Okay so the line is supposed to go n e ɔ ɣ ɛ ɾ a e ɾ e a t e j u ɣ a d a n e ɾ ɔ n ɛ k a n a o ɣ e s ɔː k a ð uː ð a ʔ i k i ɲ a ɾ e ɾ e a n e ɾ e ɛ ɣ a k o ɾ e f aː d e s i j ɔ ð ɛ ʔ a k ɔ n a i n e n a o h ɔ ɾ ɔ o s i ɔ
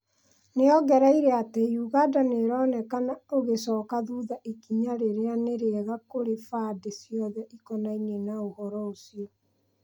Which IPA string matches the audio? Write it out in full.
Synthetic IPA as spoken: n e ɔ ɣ ɛ ɾ a i ɾ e a t e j u ɣ a d a n e ɾ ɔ n ɛ k a n a o ɣ e s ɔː k a ð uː ð a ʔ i k i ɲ a ɾ e ɾ e a n e ɾ e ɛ ɣ a k o ɾ e f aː d e s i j ɔ ð ɛ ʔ i k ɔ n a i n e n a o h ɔ ɾ ɔ o s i ɔ